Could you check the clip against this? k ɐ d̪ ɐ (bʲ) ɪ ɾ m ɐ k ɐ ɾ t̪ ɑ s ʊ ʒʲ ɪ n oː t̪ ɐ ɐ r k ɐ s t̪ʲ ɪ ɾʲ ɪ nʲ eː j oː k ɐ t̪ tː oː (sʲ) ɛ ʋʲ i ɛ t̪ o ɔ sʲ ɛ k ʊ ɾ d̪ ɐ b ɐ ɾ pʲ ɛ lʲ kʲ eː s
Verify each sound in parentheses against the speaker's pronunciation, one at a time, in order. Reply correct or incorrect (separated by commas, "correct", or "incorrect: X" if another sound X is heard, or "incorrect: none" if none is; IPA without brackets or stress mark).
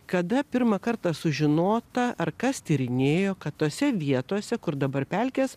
incorrect: pʲ, correct